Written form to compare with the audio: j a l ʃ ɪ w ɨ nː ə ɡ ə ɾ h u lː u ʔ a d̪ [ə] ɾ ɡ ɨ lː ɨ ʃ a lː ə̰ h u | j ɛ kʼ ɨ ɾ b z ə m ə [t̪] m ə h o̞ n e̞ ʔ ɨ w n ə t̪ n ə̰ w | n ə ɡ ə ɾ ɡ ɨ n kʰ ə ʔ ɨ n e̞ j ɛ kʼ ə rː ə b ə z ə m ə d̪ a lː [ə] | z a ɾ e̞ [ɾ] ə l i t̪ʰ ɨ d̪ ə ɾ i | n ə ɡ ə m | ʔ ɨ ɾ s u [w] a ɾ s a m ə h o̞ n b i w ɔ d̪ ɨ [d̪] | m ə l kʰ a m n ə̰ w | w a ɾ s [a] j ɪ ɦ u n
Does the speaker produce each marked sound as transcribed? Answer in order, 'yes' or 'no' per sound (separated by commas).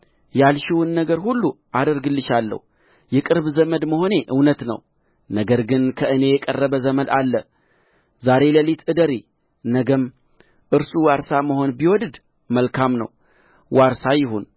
yes, no, yes, no, yes, yes, yes